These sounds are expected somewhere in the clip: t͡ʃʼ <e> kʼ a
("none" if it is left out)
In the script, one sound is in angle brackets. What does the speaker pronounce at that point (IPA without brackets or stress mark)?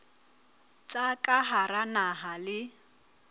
a